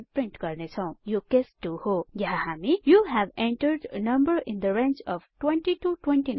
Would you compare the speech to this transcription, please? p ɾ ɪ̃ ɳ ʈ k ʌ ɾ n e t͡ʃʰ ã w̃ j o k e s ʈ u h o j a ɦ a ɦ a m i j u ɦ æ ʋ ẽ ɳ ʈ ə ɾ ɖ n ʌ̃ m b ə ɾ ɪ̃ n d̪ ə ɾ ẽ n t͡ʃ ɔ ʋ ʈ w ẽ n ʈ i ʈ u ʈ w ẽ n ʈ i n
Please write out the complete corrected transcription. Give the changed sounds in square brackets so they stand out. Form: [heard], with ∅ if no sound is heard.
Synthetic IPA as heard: p ɾ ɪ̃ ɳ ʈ k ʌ ɾ n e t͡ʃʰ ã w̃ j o k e s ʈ u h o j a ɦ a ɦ a m i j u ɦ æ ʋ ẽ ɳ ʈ ə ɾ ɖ n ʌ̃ m b ə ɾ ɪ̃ n d̪ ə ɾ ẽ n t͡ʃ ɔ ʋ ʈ w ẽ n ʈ i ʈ u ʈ w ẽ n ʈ i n